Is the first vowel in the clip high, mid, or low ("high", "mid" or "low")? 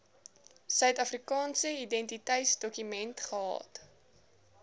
mid